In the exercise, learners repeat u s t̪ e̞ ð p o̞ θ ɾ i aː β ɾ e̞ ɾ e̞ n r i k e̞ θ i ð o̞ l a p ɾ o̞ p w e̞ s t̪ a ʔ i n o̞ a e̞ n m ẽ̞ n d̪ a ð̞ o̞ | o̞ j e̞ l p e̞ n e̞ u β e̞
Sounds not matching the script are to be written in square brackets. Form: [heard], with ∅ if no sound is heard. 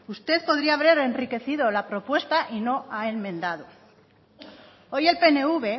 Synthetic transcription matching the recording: u s t̪ e̞ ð p o̞ [ð] ɾ i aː β ɾ e̞ ɾ e̞ n r i k e̞ θ i ð o̞ l a p ɾ o̞ p w e̞ s t̪ a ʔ i n o̞ a e̞ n m ẽ̞ n d̪ a ð̞ o̞ | o̞ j e̞ l p e̞ n e̞ u β e̞